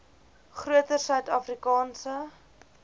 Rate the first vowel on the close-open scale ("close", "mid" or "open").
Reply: close